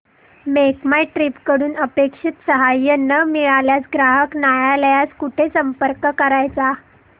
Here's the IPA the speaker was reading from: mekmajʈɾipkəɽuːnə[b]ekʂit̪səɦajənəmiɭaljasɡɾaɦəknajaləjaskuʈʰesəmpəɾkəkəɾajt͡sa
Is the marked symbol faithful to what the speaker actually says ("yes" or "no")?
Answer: no